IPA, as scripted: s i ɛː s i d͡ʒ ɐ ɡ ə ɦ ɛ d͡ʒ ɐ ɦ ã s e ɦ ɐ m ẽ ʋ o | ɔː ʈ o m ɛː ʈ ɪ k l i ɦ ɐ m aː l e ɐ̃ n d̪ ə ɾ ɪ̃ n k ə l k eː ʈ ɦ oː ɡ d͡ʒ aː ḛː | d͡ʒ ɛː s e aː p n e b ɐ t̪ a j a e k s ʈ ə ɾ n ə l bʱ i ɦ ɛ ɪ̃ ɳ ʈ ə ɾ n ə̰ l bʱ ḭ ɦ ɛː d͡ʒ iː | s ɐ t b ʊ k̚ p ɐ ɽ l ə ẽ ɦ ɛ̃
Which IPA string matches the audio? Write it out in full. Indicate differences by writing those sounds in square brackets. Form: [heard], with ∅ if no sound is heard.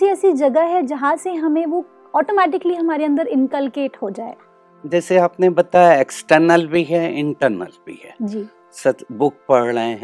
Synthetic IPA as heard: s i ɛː s i d͡ʒ ɐ ɡ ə ɦ ɛ d͡ʒ ɐ ɦ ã s e ɦ ɐ m ẽ ʋ o | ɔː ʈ o m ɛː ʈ ɪ k l i ɦ ɐ m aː [ɾ] e ɐ̃ n d̪ ə ɾ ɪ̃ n k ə l k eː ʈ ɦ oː [∅] d͡ʒ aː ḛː | d͡ʒ ɛː s e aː p n e b ɐ t̪ a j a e k s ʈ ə ɾ n ə l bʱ i ɦ ɛ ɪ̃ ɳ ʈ ə ɾ n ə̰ l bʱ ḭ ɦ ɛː d͡ʒ iː | s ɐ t b ʊ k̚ p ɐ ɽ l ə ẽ ɦ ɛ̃